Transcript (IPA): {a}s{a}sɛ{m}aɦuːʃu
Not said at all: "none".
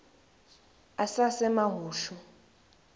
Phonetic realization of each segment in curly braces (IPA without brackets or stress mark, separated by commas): a, a, m